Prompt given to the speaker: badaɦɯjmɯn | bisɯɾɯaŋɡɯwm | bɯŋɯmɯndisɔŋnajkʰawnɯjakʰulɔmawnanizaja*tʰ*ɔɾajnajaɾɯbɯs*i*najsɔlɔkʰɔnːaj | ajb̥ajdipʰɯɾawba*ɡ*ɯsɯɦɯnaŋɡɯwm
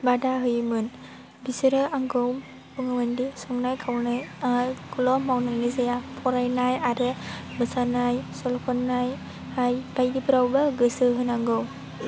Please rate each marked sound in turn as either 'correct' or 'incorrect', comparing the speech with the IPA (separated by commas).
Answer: incorrect, incorrect, correct